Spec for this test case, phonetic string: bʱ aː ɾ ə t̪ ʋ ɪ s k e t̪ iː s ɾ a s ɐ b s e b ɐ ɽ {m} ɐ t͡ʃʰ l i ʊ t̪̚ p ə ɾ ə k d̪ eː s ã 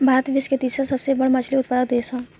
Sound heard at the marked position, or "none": m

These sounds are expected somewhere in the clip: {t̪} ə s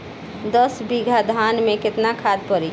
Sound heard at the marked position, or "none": d̪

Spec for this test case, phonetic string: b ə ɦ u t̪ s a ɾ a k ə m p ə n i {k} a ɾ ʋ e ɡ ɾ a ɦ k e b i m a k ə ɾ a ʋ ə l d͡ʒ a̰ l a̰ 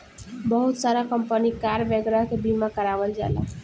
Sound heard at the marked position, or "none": k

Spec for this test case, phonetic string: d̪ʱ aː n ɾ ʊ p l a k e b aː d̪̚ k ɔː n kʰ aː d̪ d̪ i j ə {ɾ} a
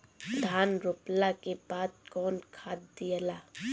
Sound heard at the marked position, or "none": l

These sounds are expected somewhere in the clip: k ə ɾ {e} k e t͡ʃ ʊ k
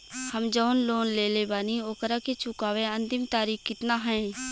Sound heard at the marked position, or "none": a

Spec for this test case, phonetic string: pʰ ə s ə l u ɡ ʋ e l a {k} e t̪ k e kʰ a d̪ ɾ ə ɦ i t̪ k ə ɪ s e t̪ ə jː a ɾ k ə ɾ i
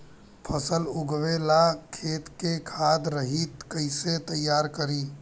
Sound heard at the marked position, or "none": kʰ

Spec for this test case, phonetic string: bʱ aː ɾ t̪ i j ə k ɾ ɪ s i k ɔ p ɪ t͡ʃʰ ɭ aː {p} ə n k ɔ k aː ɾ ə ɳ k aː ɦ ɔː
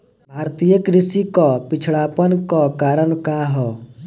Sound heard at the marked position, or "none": p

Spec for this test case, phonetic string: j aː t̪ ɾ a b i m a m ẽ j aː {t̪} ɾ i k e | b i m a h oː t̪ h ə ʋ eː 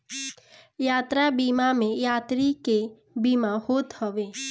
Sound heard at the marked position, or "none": t̪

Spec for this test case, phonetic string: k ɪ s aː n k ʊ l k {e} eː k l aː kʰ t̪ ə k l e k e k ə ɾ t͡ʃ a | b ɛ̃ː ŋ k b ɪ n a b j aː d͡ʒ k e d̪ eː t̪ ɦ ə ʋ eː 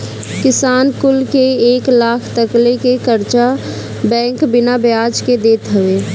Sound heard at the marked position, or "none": e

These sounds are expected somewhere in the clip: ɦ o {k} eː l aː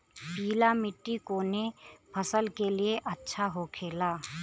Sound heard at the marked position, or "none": kʰ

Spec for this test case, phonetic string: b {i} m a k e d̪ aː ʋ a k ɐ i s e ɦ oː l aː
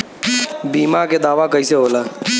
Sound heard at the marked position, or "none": iː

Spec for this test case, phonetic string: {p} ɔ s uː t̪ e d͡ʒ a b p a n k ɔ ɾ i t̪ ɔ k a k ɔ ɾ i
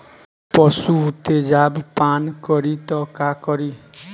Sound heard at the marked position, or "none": p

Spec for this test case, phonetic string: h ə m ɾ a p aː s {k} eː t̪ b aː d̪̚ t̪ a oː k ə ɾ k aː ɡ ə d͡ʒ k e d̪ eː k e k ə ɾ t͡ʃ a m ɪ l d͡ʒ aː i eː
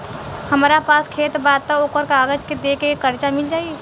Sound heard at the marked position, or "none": kʰ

